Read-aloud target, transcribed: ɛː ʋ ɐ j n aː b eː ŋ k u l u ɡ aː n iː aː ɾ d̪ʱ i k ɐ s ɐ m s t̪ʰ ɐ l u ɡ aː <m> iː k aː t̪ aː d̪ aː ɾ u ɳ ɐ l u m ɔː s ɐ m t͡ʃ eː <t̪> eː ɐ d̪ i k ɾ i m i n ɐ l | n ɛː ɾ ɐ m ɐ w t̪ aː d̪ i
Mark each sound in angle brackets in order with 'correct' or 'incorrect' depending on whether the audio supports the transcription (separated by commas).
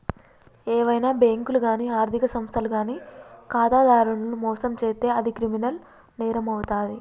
incorrect, correct